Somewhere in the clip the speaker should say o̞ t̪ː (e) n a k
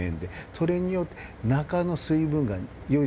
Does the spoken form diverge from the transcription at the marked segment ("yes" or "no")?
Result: no